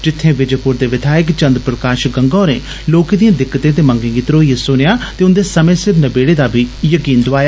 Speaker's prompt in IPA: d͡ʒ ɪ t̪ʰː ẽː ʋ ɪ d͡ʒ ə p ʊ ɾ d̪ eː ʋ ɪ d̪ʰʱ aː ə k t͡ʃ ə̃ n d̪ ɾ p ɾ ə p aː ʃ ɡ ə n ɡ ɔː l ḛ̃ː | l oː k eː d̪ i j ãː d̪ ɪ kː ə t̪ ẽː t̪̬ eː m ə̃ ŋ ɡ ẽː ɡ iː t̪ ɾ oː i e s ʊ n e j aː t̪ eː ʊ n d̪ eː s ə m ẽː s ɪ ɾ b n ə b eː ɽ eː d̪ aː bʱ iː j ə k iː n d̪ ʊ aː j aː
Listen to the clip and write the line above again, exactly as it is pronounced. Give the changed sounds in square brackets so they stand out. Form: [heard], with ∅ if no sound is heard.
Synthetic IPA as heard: d͡ʒ ɪ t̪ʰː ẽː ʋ ɪ d͡ʒ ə p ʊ ɾ d̪ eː ʋ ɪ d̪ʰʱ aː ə k t͡ʃ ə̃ n d̪ ɾ p ɾ ə [k] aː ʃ ɡ ə [ŋ] ɡ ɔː [ɾ] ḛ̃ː | l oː k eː d̪ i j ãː d̪ ɪ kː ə t̪ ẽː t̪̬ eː m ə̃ ŋ ɡ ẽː ɡ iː t̪ ɾ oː i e s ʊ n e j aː t̪ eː ʊ n d̪ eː s ə m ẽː s ɪ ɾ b n ə b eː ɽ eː d̪ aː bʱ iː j ə k iː n d̪ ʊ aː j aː